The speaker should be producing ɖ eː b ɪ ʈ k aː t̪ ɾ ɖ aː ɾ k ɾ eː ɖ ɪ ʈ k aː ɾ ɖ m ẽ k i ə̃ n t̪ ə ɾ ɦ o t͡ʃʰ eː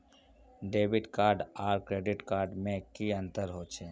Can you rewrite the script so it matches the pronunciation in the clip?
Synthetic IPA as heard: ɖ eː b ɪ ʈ k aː ɾ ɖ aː ɾ k ɾ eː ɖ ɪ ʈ k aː ɾ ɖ m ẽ k i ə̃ n t̪ ə ɾ ɦ o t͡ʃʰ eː